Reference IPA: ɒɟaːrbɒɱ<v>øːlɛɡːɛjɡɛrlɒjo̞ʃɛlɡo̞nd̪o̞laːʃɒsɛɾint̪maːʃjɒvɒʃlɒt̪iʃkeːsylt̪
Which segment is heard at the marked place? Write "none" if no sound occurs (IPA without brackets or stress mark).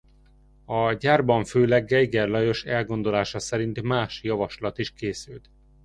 f